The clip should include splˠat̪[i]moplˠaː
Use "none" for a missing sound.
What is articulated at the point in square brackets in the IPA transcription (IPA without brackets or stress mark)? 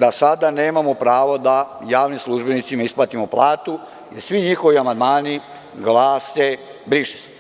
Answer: i